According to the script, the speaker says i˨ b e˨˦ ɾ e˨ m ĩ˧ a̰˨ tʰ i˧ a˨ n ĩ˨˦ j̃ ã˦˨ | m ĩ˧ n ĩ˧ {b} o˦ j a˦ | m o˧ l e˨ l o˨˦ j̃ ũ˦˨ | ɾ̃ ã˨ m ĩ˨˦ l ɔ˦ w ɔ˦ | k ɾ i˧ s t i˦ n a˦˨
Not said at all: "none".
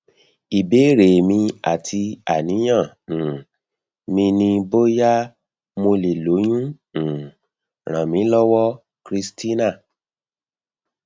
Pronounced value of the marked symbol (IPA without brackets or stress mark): b